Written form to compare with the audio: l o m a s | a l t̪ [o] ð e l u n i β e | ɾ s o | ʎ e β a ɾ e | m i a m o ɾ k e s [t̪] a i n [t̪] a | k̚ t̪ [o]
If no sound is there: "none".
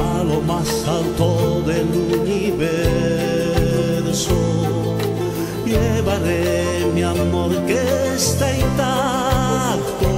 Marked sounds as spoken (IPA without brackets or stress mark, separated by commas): o, t̪, t̪, o